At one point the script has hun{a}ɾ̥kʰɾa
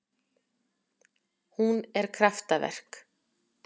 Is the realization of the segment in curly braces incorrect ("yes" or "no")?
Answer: yes